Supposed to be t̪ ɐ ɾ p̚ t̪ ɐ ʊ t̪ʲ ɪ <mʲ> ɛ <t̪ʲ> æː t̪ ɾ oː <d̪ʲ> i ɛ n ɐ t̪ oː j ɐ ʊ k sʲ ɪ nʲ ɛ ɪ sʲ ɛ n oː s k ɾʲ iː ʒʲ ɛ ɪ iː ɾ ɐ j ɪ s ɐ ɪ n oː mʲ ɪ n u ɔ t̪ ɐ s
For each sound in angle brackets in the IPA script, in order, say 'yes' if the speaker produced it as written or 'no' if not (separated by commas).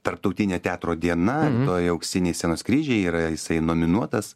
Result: no, yes, yes